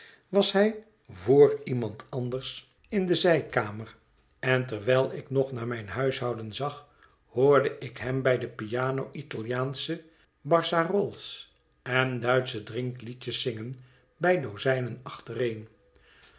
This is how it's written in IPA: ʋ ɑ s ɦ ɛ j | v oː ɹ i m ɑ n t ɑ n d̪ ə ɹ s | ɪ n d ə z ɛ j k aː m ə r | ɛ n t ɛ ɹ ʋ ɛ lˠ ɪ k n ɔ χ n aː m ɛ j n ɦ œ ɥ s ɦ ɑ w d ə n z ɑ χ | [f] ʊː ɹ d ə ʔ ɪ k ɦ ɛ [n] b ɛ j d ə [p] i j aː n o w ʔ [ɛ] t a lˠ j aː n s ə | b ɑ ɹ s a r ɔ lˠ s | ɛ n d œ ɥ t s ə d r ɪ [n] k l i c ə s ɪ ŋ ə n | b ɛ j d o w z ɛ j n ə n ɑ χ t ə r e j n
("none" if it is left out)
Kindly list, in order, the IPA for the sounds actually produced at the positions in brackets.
h, m, p, i, ŋ

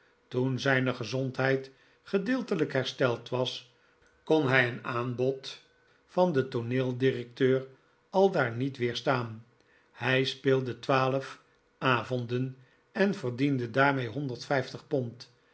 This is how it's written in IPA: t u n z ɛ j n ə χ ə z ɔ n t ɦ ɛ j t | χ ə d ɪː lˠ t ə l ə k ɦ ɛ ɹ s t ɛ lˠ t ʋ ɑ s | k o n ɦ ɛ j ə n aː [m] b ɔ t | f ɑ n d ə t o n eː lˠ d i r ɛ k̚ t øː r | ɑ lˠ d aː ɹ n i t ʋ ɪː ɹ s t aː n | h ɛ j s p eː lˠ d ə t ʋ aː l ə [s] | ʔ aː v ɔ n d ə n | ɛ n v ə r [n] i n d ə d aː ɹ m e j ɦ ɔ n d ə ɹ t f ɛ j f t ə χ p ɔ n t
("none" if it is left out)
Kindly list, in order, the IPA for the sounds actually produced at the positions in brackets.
n, f, d

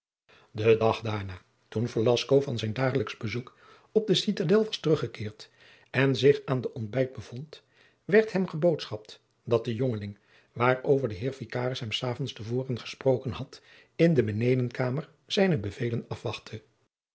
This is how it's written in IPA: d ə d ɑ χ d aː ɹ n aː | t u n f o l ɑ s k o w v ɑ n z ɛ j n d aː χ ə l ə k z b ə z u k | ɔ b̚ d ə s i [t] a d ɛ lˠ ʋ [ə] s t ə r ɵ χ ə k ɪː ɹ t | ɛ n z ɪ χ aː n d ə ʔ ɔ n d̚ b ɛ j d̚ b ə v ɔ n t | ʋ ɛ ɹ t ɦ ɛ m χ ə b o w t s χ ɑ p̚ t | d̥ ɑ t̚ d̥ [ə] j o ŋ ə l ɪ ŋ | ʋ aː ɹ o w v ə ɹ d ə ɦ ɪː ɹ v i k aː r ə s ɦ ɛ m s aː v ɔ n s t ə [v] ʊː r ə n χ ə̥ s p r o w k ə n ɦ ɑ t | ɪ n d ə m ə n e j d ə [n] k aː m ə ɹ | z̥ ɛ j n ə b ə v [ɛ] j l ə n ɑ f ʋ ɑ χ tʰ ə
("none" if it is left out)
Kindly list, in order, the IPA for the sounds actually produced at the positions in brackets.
t, ɑ, ə, v, n, e

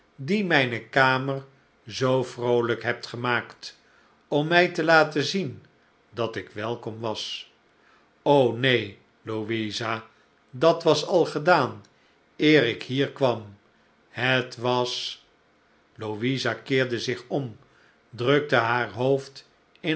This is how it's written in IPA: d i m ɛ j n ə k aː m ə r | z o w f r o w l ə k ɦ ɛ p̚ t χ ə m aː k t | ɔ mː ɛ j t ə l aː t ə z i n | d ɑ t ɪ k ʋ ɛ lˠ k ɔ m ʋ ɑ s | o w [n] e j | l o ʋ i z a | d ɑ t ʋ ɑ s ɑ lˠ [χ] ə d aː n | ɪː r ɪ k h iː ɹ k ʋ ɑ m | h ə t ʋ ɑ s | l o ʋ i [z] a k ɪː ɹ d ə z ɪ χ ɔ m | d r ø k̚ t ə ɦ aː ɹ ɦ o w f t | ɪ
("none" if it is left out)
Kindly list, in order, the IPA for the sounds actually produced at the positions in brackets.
n, χ, z

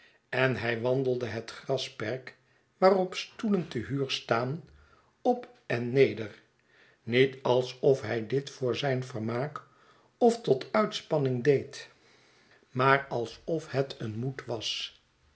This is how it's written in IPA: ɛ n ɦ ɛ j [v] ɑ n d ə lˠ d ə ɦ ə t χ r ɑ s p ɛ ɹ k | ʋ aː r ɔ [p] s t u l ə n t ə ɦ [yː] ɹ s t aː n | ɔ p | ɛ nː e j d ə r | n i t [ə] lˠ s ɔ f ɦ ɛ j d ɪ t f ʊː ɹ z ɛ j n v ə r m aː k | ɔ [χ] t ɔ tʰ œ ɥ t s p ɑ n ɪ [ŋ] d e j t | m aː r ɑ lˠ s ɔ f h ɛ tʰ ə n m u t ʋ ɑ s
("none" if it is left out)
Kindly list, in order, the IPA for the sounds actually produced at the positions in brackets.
ʋ, p, yː, ɑ, f, ŋ

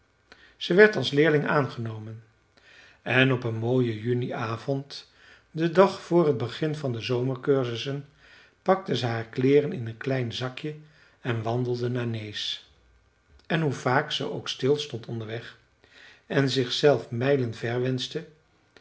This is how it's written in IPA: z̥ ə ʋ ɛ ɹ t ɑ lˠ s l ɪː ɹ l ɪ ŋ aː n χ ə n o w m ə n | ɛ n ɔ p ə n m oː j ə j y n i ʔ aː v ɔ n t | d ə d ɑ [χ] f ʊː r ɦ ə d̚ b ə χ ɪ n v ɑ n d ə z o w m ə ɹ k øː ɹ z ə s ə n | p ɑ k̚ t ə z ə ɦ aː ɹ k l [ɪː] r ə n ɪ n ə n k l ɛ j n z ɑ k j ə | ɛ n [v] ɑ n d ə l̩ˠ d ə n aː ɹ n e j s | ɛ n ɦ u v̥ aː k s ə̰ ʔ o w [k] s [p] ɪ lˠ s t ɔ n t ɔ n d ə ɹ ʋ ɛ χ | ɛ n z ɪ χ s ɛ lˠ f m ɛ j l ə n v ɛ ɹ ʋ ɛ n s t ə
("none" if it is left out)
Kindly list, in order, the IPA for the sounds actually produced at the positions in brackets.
χ, ɪː, ʋ, k, t

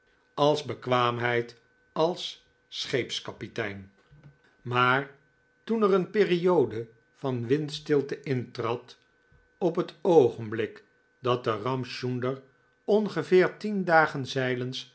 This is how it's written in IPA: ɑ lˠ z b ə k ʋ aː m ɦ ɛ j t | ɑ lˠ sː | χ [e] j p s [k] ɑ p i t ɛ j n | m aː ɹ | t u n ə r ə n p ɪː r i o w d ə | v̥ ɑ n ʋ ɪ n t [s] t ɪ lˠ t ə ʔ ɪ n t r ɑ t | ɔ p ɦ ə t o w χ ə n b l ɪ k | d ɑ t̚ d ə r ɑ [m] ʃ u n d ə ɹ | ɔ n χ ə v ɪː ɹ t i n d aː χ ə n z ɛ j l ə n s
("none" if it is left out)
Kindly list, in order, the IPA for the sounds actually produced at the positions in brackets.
e, k, s, m

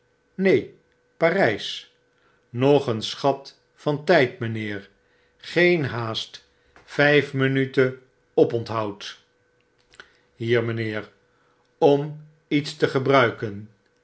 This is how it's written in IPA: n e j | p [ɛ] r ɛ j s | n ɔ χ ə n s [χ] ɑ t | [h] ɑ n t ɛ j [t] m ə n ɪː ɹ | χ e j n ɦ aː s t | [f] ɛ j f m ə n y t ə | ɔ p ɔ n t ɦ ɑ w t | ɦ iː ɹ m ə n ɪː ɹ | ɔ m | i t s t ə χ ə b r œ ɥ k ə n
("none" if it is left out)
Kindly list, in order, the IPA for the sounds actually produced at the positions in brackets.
a, χ, f, t, f

